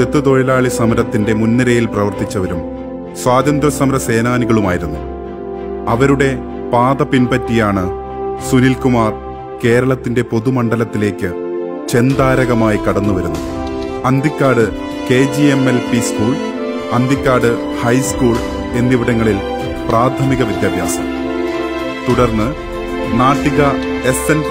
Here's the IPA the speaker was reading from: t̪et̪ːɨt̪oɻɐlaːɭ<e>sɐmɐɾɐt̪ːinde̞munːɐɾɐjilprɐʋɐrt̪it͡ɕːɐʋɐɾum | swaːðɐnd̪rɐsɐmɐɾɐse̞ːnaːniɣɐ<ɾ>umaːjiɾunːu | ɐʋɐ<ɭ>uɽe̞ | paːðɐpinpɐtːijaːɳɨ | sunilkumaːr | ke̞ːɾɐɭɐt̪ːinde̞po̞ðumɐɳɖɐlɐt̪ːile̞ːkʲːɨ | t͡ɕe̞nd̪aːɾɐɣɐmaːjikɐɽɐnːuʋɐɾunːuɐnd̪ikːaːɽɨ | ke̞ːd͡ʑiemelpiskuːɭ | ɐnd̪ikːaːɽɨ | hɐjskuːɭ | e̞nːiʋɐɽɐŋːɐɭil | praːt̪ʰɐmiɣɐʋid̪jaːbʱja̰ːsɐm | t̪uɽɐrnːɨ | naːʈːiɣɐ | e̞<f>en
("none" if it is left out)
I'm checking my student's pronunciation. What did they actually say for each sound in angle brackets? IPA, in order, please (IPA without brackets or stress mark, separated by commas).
i, ɭ, ɾ, s